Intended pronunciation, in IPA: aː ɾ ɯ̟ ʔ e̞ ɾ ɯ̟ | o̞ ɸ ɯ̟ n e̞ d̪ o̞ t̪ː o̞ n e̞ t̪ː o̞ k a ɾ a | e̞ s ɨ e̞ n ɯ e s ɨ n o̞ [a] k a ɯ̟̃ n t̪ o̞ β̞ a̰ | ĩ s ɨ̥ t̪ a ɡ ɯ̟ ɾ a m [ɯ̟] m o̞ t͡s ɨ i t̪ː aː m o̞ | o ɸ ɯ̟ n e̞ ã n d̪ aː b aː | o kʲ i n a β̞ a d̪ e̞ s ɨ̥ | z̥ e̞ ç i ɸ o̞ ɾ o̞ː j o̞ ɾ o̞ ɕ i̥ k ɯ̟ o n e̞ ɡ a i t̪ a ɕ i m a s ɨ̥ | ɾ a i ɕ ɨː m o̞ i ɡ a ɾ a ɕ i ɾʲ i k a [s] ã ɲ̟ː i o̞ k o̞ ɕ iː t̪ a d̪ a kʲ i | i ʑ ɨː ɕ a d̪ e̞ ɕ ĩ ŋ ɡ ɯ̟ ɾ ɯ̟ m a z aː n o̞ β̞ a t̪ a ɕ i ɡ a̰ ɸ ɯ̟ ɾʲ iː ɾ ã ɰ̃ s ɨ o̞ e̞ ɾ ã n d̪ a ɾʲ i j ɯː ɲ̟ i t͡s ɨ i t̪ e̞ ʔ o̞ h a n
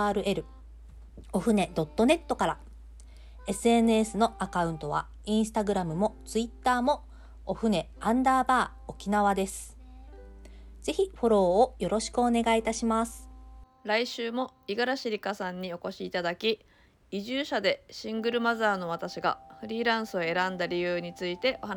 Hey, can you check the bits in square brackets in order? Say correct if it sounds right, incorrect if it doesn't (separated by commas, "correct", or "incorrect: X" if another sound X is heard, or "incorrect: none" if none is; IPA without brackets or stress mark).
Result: correct, correct, correct